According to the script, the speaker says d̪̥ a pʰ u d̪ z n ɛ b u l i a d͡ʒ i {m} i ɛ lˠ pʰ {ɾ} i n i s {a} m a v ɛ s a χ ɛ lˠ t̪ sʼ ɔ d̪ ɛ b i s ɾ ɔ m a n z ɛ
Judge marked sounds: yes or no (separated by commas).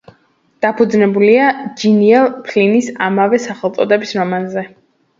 no, no, yes